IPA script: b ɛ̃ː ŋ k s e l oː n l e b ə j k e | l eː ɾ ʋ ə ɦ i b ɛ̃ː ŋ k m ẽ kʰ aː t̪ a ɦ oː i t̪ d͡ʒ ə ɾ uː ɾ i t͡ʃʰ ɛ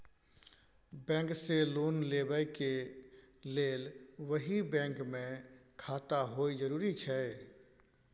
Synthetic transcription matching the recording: b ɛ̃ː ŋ k s e l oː n l e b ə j k e | l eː l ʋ ə ɦ i b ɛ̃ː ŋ k m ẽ kʰ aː t̪ a ɦ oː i d͡ʒ ə ɾ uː ɾ i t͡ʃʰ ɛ